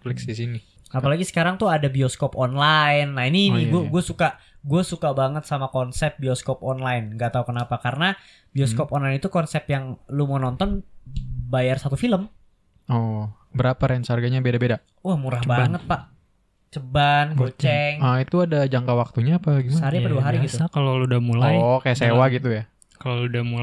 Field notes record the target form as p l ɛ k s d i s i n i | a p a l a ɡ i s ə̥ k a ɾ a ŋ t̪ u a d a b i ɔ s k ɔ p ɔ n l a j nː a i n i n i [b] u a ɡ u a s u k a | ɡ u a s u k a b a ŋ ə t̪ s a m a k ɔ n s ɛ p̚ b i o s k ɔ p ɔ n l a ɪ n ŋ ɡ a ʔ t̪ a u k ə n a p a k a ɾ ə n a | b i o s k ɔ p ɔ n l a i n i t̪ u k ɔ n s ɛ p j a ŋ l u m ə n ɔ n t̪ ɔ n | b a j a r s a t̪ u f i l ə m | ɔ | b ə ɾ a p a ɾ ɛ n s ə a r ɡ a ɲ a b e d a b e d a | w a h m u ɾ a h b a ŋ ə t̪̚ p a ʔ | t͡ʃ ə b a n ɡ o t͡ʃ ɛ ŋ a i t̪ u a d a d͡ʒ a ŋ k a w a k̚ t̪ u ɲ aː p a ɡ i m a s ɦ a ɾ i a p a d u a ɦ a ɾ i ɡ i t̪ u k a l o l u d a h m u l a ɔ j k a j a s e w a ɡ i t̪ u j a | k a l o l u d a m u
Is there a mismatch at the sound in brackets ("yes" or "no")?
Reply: yes